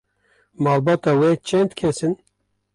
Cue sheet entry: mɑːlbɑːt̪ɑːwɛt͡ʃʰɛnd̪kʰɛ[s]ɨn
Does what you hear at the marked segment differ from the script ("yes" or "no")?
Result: no